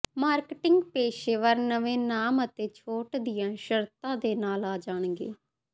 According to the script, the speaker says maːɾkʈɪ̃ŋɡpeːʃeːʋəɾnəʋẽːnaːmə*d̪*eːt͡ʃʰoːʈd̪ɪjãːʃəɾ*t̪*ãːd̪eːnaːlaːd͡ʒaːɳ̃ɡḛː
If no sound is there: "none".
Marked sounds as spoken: t̪, t̪

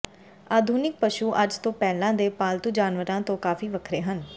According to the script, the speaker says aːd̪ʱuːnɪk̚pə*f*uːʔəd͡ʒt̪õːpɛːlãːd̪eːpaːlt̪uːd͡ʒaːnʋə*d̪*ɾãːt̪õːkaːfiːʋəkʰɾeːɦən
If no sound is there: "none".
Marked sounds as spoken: ʃ, none

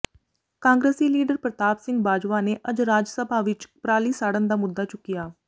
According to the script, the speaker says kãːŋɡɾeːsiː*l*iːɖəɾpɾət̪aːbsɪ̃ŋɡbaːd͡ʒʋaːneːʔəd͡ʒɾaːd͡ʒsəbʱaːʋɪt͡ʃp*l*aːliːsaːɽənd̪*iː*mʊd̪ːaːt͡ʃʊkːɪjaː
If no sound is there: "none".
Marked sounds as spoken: l, ɾ, aː

